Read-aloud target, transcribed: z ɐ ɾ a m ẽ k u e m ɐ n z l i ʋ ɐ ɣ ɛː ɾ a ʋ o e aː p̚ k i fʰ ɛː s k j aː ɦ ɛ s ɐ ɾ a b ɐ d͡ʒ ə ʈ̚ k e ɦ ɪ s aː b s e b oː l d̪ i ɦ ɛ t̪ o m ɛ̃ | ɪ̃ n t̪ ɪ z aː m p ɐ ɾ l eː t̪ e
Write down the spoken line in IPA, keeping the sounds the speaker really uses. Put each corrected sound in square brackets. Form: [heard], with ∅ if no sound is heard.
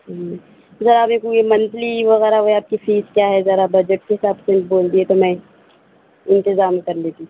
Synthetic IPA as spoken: z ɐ ɾ a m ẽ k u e m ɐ n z l i ʋ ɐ ɣ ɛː ɾ a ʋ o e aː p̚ k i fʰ [iː] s k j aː ɦ ɛ [z] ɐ ɾ a b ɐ d͡ʒ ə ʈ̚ k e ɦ ɪ s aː b s e b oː l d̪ i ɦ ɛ t̪ o m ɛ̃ | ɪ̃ n t̪ ɪ z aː m [k] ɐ ɾ l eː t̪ [i]